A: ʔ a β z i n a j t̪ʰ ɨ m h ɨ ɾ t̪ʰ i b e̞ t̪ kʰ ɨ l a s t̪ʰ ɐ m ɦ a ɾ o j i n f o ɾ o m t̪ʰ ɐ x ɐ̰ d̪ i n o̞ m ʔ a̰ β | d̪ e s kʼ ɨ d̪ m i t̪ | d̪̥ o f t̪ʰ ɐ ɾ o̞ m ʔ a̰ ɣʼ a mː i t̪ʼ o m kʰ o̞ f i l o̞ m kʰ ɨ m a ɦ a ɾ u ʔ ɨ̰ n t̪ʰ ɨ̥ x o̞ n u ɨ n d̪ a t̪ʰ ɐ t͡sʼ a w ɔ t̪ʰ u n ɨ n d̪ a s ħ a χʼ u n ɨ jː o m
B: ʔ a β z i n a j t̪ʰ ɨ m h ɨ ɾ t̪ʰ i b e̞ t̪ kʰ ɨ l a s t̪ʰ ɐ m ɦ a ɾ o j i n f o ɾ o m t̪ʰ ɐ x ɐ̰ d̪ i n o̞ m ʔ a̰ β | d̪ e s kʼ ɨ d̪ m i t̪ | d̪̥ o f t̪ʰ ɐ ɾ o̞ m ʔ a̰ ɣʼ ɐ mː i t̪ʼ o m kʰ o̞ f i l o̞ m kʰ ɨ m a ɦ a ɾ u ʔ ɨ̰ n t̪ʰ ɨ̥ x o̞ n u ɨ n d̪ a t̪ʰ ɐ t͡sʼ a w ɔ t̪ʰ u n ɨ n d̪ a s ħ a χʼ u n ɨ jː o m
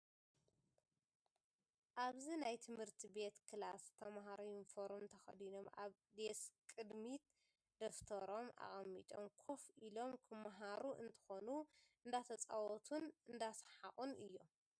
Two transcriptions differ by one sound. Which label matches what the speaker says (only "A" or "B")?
B